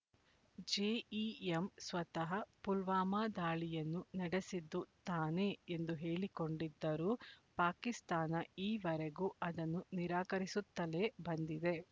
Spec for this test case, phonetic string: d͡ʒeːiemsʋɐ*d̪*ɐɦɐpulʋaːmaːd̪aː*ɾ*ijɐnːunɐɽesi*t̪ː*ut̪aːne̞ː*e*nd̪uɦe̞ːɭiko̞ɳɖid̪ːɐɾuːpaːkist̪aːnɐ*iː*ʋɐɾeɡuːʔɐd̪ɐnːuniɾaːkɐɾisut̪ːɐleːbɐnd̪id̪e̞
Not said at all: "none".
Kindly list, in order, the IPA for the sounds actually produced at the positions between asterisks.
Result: t̪, ɭ, d̪ː, e, iː

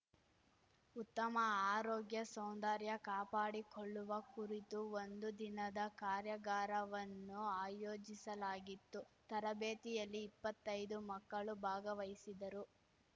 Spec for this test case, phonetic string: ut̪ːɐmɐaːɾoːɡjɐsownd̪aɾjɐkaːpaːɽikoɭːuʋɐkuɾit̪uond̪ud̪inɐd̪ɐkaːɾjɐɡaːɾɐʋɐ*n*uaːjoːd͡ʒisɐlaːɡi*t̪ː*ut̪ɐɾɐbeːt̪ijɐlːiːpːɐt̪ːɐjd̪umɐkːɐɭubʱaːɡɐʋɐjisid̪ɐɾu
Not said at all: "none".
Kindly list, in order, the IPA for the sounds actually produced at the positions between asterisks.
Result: nː, t̪ː

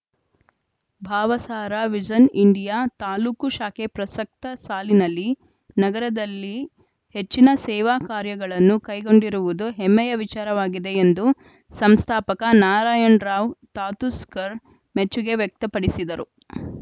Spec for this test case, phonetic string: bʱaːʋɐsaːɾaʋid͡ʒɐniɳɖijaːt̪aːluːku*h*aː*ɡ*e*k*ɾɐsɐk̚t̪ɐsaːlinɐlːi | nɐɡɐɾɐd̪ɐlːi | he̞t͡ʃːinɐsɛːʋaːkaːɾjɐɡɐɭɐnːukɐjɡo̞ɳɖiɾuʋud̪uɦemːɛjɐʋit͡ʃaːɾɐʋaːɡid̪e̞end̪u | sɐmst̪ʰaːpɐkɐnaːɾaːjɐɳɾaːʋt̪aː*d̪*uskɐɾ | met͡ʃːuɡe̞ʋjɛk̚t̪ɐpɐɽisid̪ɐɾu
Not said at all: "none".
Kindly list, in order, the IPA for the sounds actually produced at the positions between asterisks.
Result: ʃ, k, p, t̪

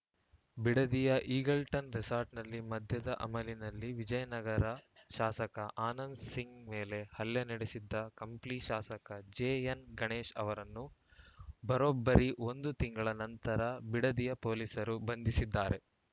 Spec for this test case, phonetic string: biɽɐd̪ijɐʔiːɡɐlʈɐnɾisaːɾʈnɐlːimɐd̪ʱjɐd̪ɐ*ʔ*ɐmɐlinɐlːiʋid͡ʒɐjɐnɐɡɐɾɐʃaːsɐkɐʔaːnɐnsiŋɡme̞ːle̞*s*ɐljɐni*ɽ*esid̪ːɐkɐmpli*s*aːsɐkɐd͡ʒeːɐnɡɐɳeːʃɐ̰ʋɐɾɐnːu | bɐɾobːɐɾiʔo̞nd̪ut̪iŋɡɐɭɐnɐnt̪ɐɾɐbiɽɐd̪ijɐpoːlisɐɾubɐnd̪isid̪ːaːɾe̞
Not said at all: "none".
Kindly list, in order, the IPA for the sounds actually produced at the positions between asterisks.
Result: ʔ, h, ɽ, ʃ

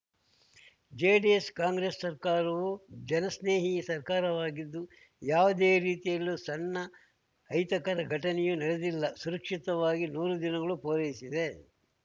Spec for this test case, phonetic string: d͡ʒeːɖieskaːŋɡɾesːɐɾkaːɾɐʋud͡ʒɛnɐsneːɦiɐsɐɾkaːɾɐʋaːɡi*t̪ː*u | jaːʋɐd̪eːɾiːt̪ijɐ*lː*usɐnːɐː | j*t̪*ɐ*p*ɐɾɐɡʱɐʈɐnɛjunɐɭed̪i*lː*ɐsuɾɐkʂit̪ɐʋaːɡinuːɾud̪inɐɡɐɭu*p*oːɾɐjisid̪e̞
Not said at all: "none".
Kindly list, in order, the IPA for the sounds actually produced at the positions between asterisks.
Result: d̪ː, lː, t̪, k, lː, p

